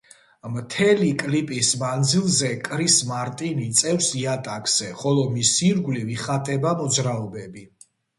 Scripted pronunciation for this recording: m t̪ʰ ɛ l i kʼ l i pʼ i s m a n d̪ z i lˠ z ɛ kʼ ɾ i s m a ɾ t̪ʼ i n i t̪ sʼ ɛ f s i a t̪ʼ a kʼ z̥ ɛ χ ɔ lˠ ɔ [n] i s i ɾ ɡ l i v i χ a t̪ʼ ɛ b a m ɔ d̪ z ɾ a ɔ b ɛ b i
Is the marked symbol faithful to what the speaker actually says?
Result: no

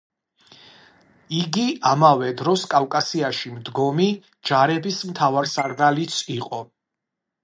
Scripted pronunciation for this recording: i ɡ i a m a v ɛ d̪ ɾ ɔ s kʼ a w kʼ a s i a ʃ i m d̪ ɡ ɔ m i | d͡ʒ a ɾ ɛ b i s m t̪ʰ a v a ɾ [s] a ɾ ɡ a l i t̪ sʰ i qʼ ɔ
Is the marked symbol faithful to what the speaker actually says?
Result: yes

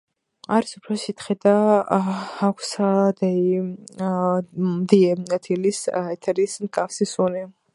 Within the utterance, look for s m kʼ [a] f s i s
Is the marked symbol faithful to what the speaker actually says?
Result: yes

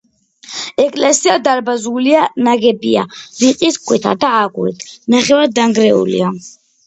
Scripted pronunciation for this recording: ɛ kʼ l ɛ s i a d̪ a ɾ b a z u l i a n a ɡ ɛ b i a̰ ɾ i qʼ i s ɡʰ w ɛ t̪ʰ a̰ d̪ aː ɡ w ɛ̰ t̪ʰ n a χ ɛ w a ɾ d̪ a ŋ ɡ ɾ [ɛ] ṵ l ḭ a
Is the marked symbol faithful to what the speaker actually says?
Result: yes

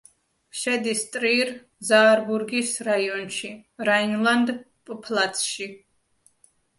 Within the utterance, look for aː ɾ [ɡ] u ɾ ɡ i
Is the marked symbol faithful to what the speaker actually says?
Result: no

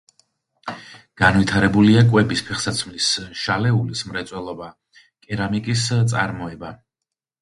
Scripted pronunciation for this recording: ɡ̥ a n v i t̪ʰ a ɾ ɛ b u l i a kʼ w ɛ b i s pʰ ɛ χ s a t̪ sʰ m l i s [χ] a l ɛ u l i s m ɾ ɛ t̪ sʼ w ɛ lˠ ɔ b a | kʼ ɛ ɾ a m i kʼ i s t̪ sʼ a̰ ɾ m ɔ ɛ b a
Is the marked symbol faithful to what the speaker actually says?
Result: no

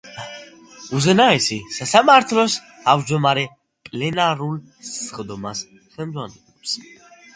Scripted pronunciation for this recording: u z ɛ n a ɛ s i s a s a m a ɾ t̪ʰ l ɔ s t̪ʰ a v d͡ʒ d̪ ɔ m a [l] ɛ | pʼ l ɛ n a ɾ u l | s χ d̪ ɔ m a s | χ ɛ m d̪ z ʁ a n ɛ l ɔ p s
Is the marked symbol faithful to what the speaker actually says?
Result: no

